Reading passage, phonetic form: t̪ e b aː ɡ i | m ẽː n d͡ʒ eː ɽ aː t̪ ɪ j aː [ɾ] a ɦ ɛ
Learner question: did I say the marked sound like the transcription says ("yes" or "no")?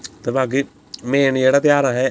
yes